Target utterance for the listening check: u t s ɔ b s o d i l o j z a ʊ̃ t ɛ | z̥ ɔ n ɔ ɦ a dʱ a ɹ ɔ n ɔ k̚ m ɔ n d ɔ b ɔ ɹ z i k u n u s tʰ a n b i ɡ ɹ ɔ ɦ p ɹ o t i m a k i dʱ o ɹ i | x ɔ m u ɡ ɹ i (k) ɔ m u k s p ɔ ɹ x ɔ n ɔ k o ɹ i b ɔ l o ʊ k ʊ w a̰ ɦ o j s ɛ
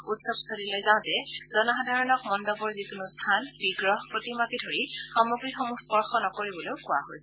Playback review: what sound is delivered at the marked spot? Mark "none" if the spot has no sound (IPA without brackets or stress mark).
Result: x